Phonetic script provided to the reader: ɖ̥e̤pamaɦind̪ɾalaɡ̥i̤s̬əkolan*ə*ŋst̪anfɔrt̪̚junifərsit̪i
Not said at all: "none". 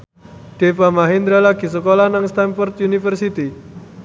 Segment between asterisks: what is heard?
a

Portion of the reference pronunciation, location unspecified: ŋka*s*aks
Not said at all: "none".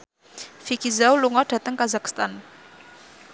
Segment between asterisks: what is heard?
z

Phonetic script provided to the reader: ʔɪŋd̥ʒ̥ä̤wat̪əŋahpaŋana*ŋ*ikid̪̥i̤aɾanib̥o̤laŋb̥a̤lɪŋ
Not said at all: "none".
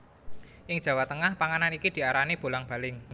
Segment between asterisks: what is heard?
n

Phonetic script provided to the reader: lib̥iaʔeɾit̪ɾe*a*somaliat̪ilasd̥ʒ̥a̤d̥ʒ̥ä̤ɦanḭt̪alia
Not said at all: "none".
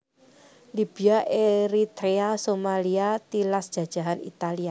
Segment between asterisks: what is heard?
a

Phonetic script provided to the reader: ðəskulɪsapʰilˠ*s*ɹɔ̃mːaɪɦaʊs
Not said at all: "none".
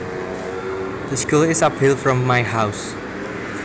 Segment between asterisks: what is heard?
f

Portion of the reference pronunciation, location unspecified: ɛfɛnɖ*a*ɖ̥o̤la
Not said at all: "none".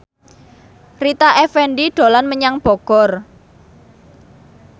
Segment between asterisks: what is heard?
i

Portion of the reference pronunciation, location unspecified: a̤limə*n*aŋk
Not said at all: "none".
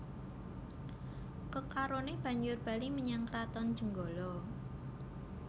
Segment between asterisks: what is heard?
ɲ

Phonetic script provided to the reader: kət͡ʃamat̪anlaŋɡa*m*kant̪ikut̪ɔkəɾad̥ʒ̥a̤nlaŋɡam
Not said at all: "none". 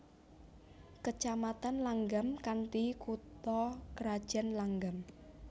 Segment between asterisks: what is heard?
m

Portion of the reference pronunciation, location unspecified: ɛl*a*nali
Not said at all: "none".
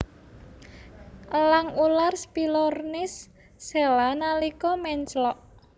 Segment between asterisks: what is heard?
a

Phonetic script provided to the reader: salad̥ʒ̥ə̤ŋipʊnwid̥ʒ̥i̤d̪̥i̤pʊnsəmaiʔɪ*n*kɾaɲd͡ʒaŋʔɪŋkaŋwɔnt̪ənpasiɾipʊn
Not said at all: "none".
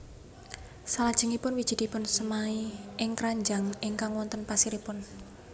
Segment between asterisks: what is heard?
ŋ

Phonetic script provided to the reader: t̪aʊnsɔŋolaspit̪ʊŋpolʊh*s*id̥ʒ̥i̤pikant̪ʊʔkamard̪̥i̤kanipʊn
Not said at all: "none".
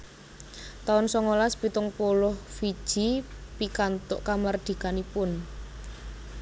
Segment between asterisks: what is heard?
f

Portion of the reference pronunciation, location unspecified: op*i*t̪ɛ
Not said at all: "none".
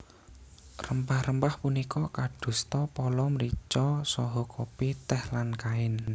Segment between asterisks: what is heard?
i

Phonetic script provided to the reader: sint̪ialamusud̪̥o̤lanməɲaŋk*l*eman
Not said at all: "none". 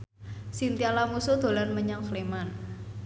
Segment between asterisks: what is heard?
l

